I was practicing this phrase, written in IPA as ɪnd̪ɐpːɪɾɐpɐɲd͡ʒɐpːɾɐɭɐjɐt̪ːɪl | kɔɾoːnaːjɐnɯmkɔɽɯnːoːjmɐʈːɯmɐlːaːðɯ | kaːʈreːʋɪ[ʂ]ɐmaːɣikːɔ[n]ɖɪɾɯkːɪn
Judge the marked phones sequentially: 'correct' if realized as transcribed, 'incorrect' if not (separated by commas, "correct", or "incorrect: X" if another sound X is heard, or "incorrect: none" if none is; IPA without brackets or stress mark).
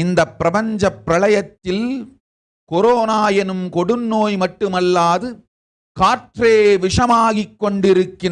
correct, incorrect: ɳ